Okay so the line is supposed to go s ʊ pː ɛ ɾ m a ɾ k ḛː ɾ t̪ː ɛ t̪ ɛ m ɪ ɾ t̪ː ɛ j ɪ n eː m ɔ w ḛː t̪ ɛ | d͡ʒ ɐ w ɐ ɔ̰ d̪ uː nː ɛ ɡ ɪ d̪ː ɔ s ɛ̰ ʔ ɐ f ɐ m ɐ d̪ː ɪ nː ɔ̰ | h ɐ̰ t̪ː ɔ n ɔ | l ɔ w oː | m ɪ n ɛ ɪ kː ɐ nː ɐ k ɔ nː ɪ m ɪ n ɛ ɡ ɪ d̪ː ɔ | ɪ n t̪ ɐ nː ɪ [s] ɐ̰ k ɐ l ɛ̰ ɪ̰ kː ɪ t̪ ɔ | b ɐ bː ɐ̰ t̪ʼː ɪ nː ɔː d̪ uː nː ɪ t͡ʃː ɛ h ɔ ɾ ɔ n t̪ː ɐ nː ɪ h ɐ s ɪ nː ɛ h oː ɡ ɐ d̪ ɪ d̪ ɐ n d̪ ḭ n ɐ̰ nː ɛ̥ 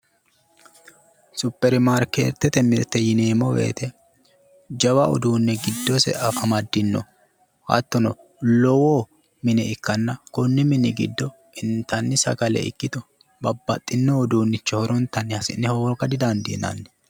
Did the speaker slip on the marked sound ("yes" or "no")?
no